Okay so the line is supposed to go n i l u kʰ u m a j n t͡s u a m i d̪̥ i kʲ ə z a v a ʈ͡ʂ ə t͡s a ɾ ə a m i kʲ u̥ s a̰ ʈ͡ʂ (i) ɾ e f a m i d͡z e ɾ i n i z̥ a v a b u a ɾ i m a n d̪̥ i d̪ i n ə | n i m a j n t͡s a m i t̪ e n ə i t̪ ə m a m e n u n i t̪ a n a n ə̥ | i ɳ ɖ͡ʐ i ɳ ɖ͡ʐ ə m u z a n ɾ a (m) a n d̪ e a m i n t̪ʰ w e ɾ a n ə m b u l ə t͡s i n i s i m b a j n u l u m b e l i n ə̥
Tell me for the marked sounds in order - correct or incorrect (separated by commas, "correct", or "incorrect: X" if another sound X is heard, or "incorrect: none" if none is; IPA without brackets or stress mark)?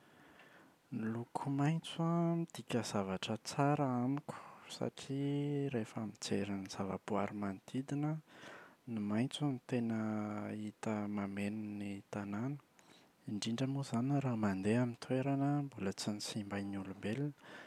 correct, correct